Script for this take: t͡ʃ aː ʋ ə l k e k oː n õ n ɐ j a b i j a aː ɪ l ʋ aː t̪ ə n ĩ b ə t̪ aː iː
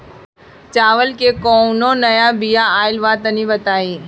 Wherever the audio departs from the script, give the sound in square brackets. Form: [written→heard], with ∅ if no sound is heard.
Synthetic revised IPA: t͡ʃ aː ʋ ə l k e k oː n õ n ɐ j a b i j a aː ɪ l ʋ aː t̪ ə n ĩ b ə t̪ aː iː